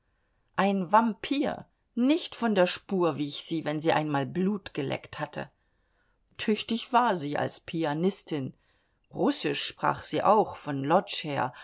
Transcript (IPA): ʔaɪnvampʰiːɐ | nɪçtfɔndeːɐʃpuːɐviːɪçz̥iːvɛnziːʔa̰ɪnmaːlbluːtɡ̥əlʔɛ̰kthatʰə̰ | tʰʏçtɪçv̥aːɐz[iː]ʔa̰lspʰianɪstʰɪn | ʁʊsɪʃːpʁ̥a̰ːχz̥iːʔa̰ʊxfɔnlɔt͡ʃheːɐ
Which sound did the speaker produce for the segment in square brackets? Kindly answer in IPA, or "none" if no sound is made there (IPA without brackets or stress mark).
iː